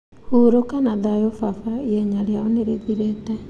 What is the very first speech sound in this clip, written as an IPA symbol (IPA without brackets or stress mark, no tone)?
h